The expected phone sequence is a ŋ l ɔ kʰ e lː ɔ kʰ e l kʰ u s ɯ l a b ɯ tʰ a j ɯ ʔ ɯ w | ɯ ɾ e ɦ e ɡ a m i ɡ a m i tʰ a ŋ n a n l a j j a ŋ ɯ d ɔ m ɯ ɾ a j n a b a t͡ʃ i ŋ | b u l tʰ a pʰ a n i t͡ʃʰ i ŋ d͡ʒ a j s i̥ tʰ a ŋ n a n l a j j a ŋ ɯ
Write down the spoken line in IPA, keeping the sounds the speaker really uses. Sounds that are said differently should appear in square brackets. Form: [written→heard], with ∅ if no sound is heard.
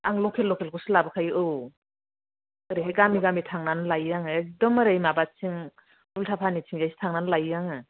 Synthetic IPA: a ŋ l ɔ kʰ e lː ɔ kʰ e l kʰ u s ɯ l a b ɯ [tʰ→kʰ] a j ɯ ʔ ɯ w | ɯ ɾ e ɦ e ɡ a m i ɡ a m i tʰ a ŋ n a n l a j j a ŋ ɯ d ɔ m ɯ ɾ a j [n→m] a b a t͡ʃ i ŋ | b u l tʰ a pʰ a n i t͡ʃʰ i ŋ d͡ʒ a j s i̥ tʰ a ŋ n a n l a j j a ŋ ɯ